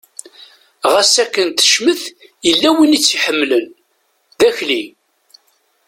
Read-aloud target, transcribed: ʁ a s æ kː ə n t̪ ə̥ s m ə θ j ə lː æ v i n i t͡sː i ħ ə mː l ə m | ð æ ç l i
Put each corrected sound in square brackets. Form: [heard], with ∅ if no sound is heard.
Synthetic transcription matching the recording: ʁ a s æ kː ə n t̪ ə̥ [ʃ] m ə θ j ə lː æ [w] i n i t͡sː i ħ ə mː l ə [n] | ð æ ç l i